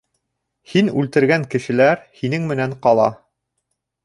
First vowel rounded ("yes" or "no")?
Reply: no